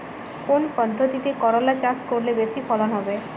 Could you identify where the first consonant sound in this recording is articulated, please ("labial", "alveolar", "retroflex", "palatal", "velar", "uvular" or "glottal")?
velar